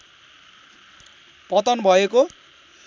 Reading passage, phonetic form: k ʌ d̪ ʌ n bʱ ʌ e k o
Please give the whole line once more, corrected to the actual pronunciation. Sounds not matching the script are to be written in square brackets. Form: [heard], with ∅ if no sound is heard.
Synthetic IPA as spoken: [p] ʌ [t̪] ʌ n bʱ ʌ e k o